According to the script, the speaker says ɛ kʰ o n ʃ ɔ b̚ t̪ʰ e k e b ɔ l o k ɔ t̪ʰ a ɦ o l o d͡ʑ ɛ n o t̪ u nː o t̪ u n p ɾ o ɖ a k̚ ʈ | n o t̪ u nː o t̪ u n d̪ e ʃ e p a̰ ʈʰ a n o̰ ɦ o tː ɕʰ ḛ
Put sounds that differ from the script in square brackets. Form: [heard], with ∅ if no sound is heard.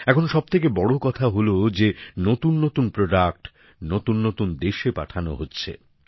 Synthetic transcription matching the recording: ɛ kʰ o n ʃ ɔ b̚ t̪ʰ e k e b ɔ [ɽ] o k ɔ t̪ʰ a ɦ o l o d͡ʑ [e] n o t̪ u nː o t̪ u n p ɾ o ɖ a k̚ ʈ | n o t̪ u nː o t̪ u n d̪ e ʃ e p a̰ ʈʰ a n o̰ ɦ o tː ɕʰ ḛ